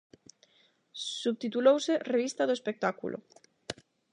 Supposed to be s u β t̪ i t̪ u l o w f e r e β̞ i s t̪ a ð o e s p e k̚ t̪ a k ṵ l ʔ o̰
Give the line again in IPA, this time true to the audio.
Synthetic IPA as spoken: s u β t̪ i t̪ u l o w s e r e β̞ i s t̪ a ð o e s p e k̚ t̪ a k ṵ l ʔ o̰